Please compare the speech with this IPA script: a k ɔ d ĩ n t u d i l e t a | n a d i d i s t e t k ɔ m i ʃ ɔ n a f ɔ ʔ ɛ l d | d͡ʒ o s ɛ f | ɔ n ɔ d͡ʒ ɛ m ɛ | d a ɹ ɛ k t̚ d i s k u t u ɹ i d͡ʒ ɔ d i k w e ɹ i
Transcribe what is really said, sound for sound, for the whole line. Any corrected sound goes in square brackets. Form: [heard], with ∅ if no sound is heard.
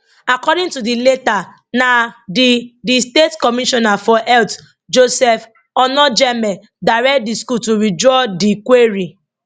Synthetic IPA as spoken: a k ɔ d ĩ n t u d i l e t a | n a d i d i s t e t k ɔ m i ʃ ɔ n a f ɔ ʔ ɛ l [t] | d͡ʒ o s ɛ f | ɔ n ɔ d͡ʒ ɛ m ɛ | d a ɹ ɛ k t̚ d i s k u t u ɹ i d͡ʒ ɔ d i k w e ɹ i